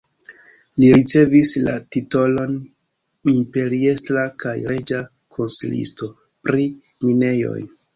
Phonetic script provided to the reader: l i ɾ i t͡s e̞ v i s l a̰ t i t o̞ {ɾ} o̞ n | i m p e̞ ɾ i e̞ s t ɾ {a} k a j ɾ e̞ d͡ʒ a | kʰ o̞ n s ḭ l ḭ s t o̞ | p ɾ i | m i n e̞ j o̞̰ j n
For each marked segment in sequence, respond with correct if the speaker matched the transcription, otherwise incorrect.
incorrect: l, correct

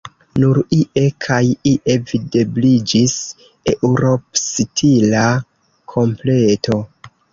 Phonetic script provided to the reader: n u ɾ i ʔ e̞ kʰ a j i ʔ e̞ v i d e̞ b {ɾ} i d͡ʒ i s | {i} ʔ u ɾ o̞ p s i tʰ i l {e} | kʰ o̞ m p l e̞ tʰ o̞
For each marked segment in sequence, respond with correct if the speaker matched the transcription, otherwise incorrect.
incorrect: l, incorrect: e, incorrect: a

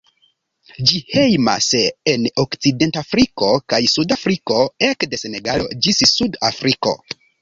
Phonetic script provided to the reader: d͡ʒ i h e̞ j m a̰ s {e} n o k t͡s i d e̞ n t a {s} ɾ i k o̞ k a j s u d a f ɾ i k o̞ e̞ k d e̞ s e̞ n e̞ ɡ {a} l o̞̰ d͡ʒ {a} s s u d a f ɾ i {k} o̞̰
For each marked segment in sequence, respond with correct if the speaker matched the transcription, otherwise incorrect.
correct, incorrect: f, correct, incorrect: i, correct

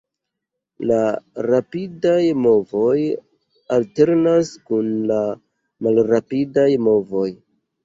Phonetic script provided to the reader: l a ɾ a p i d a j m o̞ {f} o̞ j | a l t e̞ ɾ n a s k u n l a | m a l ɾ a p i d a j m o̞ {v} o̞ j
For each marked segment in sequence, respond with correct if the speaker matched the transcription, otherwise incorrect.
incorrect: v, correct

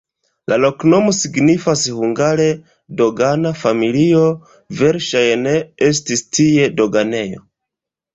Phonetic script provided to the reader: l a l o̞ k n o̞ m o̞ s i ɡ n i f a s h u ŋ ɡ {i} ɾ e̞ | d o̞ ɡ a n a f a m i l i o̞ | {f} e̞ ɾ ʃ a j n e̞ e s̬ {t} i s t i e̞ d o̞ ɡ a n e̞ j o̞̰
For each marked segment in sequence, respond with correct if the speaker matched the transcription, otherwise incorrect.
incorrect: a, incorrect: v, correct

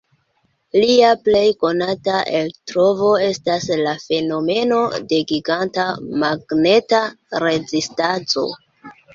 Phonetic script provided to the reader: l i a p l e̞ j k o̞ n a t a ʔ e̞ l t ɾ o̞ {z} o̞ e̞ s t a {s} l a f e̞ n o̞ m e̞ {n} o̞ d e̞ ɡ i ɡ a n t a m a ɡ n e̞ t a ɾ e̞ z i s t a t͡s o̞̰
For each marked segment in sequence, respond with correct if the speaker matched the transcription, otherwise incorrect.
incorrect: v, correct, correct

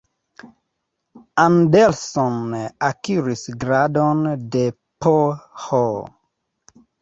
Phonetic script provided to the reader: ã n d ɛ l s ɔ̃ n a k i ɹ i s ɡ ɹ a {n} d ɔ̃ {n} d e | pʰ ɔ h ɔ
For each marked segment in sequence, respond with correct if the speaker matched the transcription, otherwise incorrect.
incorrect: none, correct

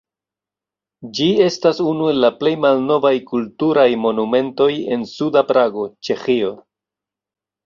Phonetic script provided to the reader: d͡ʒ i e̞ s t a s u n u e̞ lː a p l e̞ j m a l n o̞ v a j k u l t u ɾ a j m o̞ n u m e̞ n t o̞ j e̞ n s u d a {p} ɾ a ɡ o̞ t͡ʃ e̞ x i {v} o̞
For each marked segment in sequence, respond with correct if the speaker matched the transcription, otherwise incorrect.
correct, incorrect: none

